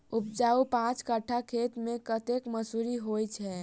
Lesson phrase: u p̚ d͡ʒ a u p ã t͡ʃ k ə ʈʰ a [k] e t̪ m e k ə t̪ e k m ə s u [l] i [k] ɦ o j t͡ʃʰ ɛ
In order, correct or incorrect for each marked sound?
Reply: incorrect, incorrect, incorrect

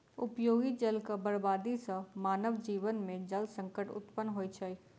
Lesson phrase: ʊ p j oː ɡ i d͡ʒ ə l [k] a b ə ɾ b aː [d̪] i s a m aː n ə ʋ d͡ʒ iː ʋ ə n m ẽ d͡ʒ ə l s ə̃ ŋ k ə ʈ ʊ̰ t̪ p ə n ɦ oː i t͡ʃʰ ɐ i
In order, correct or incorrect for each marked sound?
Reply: correct, correct

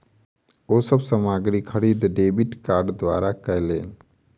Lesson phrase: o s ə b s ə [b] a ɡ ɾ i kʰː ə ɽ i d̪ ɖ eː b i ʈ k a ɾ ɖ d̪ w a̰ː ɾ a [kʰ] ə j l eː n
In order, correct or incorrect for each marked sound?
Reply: incorrect, incorrect

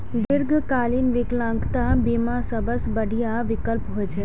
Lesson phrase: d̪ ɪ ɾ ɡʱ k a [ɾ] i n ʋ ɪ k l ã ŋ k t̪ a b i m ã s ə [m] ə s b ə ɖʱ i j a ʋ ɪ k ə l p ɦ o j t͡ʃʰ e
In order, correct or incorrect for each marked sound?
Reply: incorrect, incorrect

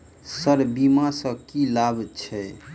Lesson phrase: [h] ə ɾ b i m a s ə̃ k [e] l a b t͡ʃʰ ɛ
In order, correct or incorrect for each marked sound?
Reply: incorrect, incorrect

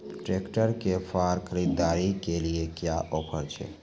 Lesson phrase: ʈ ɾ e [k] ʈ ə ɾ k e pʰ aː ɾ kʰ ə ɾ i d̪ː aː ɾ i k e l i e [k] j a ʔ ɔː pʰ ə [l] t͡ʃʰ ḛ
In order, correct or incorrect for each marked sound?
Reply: correct, correct, incorrect

